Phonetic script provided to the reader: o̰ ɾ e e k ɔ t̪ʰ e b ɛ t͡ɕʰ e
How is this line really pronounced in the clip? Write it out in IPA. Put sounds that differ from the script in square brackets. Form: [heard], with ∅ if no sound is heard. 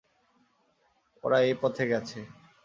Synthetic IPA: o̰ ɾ [a] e [p] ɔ t̪ʰ e [ɡ] ɛ t͡ɕʰ e